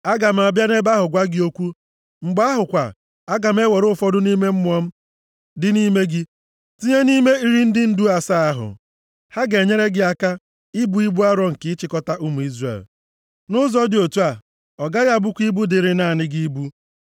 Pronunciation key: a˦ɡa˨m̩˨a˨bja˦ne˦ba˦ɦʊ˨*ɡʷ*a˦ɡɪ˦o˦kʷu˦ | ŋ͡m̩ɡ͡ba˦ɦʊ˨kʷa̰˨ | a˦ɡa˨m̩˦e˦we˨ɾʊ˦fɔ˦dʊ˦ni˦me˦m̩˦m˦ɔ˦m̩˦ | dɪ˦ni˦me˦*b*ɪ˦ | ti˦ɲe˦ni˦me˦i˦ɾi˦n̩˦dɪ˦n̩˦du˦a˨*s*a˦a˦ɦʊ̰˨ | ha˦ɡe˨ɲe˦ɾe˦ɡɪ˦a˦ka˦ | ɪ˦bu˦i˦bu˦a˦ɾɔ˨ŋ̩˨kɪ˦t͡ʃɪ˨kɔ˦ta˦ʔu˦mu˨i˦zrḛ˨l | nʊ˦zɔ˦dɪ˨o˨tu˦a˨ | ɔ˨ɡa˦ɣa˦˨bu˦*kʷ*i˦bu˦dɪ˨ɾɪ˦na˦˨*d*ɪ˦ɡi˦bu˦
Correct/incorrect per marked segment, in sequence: correct, incorrect: ɡ, correct, correct, incorrect: n

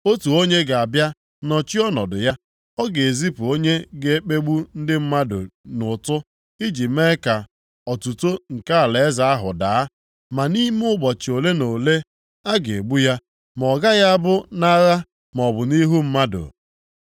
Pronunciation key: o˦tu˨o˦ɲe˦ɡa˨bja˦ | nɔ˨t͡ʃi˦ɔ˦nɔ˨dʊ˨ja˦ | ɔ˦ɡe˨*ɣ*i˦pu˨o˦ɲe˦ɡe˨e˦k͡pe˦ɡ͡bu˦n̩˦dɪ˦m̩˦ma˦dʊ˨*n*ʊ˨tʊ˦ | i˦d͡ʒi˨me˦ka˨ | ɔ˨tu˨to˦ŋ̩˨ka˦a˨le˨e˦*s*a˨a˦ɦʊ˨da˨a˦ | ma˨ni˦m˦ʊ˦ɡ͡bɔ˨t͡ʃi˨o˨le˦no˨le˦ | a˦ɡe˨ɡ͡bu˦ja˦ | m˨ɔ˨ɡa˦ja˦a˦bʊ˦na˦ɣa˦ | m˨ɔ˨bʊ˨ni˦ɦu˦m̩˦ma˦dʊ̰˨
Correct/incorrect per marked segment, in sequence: incorrect: z, correct, incorrect: z

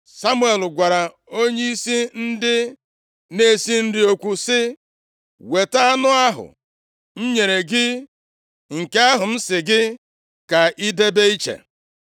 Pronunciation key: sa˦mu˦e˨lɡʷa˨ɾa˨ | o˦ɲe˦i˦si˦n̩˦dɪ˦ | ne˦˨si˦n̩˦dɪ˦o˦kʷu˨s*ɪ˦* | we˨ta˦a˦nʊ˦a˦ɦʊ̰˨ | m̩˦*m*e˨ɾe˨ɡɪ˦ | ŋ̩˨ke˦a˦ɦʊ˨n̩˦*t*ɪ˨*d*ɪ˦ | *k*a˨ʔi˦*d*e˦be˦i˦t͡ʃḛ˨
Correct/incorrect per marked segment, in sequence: correct, incorrect: ɲ, incorrect: s, incorrect: ɡ, correct, correct

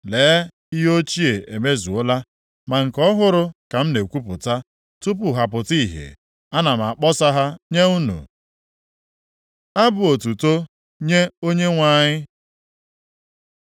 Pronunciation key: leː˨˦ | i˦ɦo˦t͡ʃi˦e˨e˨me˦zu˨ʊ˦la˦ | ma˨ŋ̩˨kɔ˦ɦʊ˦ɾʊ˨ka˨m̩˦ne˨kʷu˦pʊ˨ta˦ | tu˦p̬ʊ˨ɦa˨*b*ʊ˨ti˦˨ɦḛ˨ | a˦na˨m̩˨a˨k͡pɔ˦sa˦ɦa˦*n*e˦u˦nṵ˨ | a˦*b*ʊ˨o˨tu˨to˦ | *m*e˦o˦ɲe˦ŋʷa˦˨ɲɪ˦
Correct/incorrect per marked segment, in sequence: incorrect: p, incorrect: ɲ, correct, incorrect: ɲ

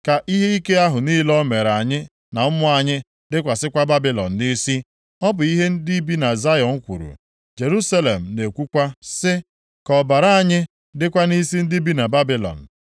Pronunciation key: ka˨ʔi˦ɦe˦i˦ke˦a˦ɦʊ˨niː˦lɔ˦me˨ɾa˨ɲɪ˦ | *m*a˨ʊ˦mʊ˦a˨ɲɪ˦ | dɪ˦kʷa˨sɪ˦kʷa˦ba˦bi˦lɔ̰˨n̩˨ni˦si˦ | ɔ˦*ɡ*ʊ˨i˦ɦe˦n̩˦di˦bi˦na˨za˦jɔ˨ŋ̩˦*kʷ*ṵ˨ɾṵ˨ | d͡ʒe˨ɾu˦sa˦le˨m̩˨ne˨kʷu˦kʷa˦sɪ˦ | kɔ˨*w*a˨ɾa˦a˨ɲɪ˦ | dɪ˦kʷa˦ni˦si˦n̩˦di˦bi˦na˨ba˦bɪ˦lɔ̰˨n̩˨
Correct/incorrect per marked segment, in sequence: incorrect: n, incorrect: b, correct, incorrect: b

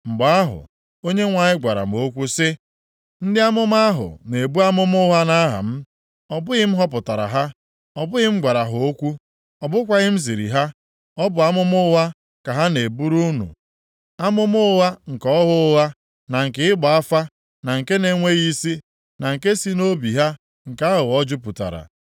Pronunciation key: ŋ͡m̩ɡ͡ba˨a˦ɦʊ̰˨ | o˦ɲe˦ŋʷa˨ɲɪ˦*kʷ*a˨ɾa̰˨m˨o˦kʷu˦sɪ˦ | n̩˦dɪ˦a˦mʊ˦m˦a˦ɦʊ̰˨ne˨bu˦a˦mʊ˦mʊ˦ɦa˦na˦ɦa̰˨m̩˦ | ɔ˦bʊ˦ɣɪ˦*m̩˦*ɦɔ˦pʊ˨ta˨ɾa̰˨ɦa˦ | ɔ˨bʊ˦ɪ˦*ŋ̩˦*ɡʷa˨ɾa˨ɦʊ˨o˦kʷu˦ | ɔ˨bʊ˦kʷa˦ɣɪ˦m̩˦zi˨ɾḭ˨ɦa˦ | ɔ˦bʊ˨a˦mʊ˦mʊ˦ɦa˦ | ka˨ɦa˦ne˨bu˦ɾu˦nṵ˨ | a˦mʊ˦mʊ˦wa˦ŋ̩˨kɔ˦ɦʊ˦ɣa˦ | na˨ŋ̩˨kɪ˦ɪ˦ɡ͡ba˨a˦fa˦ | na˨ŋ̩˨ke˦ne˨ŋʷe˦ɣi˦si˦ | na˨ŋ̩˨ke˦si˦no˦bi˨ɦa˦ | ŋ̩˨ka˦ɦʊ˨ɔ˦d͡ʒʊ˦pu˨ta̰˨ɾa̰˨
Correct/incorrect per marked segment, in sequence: incorrect: ɡʷ, correct, incorrect: m̩˦

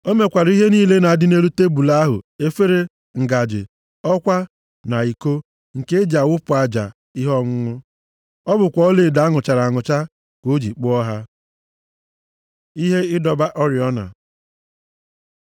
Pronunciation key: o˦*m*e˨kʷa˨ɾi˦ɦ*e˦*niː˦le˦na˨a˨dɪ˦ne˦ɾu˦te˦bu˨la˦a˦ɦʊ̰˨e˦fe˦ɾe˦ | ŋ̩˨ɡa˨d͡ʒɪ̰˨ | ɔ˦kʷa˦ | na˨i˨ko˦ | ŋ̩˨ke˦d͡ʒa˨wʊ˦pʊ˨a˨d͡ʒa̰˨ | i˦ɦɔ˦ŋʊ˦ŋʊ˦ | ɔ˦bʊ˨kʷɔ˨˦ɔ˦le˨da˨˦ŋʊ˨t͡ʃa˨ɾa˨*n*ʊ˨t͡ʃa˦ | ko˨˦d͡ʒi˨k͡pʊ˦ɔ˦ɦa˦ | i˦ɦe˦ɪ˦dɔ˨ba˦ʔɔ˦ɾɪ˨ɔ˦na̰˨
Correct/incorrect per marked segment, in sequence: correct, correct, incorrect: ŋ

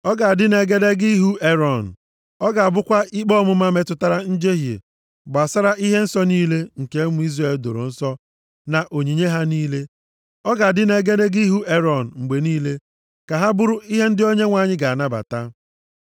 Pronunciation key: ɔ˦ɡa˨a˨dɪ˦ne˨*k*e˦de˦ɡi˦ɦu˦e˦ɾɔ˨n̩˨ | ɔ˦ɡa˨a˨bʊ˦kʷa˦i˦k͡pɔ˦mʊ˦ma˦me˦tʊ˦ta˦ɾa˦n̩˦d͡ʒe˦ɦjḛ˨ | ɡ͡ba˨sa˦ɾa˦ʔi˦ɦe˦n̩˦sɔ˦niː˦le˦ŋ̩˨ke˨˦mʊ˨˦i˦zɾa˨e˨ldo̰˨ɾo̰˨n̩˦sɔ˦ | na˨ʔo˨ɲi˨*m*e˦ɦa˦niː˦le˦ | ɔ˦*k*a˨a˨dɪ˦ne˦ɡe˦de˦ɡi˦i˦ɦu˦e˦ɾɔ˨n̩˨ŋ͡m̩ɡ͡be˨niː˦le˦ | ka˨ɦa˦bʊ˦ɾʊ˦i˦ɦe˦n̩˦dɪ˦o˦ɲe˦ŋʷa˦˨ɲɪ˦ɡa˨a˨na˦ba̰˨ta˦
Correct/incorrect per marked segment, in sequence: incorrect: ɡ, incorrect: ɲ, incorrect: ɡ

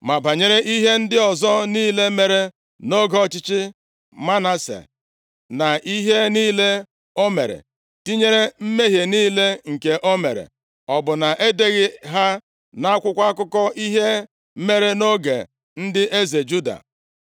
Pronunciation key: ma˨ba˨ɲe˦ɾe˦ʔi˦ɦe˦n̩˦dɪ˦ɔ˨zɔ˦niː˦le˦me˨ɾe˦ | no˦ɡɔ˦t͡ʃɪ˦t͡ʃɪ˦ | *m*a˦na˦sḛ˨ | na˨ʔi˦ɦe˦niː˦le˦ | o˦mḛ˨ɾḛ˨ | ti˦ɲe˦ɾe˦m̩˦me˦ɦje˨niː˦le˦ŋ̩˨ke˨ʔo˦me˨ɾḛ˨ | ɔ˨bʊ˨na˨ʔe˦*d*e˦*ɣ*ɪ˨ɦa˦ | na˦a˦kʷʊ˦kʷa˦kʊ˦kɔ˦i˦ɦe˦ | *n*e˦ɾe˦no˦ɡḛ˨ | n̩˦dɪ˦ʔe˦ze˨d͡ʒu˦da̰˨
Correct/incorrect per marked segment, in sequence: correct, correct, correct, incorrect: m

